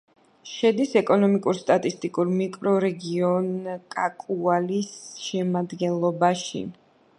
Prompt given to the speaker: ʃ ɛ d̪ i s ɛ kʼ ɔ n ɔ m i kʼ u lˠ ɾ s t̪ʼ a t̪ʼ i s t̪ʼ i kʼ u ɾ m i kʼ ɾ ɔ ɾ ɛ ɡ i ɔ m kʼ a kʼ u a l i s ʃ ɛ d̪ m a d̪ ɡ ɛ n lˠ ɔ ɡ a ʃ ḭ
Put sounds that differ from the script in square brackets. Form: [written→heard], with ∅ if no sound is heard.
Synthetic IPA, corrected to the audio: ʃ ɛ d̪ i s ɛ kʼ ɔ n ɔ m i kʼ u [lˠ→∅] ɾ s t̪ʼ a t̪ʼ i s t̪ʼ i kʼ u ɾ m i kʼ ɾ ɔ ɾ ɛ ɡ i ɔ [m→n] kʼ a kʼ u a l i s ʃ ɛ [d̪→∅] m a d̪ ɡ ɛ n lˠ ɔ [ɡ→b] a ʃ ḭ

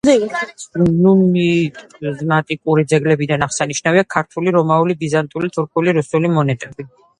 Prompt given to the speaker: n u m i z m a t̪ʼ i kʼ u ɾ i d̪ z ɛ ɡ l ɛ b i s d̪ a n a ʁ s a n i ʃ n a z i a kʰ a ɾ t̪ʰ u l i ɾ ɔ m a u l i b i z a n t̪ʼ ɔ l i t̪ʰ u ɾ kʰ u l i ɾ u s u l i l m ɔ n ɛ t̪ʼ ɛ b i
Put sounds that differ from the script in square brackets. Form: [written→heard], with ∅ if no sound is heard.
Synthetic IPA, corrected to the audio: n u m i z m a t̪ʼ i kʼ u ɾ i d̪ z ɛ ɡ l ɛ b i [s→∅] d̪ a n a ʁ s a n i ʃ n a [z→v] i a kʰ a ɾ t̪ʰ u l i ɾ ɔ m a u l i b i z a n t̪ʼ [ɔ→u] l i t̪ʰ u ɾ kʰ u l i ɾ u s u l i [l→∅] m ɔ n ɛ t̪ʼ ɛ b i

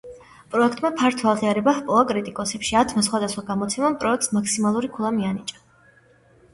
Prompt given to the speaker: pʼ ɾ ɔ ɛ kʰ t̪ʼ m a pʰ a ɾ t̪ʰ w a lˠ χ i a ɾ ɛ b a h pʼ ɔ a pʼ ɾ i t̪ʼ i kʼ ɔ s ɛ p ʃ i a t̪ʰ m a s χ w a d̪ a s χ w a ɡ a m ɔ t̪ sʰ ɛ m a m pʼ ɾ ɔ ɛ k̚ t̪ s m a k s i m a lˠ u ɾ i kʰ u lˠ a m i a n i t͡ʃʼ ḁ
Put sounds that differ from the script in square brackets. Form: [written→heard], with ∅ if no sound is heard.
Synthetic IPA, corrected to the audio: pʼ ɾ ɔ ɛ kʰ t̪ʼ m a pʰ a ɾ t̪ʰ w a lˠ [χ→ʁ] i a ɾ ɛ b a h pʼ ɔ a [pʼ→kʼ] ɾ i t̪ʼ i kʼ ɔ s ɛ p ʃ i a t̪ʰ m a s χ w a d̪ a s χ w a ɡ a m ɔ t̪ sʰ ɛ m a m pʼ ɾ ɔ ɛ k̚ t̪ s m a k s i m a lˠ u ɾ i kʰ u lˠ a m i a n i t͡ʃʼ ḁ

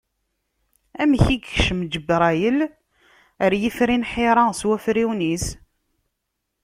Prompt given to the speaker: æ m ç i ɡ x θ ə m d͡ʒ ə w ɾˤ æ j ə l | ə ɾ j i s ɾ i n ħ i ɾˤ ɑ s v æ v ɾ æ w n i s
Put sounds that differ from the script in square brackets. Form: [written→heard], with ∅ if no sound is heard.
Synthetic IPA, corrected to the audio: æ m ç i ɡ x [θ→ʃ] ə m d͡ʒ ə [w→b] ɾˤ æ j ə l | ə ɾ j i [s→f] ɾ i n ħ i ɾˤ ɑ s [v→w] æ [v→f] ɾ [æ→i] w n i s

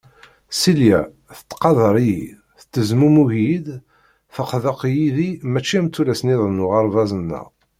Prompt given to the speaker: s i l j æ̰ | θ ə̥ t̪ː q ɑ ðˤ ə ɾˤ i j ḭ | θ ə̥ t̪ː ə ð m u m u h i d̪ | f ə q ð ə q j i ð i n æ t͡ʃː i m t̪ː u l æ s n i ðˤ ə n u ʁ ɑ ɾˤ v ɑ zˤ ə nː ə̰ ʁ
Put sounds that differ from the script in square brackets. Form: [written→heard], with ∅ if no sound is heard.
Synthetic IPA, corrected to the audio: s i l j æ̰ | θ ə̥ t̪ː q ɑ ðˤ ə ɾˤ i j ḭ | θ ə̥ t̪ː ə [ð→z] m u m u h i d̪ | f ə q ð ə q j i ð i [n→m] æ t͡ʃː i m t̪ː u l æ s n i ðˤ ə n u ʁ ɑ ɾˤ v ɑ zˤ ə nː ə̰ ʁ

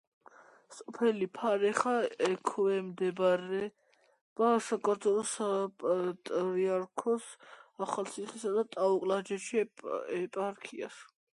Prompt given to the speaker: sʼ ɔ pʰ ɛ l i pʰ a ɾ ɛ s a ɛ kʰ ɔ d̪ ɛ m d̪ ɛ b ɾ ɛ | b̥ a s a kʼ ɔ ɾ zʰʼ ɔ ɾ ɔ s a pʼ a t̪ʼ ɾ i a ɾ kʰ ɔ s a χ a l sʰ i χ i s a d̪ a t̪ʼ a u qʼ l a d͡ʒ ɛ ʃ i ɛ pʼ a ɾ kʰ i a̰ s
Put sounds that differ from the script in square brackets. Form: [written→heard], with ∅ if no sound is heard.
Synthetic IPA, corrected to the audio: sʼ ɔ pʰ ɛ l i pʰ a ɾ ɛ [s→χ] a ɛ kʰ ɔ [d̪→∅] ɛ m d̪ ɛ b ɾ ɛ | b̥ a s a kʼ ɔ ɾ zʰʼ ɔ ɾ ɔ s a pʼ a t̪ʼ ɾ i a ɾ kʰ ɔ s a χ a l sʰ i χ i s a d̪ a t̪ʼ a u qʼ l a d͡ʒ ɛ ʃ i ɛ pʼ a ɾ kʰ i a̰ s

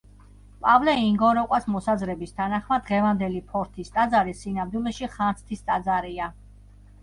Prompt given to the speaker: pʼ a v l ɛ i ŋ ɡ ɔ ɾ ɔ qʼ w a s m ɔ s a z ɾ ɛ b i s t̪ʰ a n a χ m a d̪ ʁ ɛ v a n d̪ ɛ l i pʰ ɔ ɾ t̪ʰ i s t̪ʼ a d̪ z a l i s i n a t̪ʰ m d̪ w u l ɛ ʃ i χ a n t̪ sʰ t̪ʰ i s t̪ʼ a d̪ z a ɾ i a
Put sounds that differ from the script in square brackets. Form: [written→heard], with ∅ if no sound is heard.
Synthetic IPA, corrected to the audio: pʼ a v l ɛ i ŋ ɡ ɔ ɾ ɔ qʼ w a s m ɔ s a z ɾ ɛ b i s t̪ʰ a n a χ m a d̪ ʁ ɛ v a n d̪ ɛ l i pʰ ɔ ɾ t̪ʰ i s t̪ʼ a d̪ z a [l→ɾ] i s i n a [t̪ʰ→∅] m d̪ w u l ɛ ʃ i χ a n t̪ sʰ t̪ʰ i s t̪ʼ a d̪ z a ɾ i a

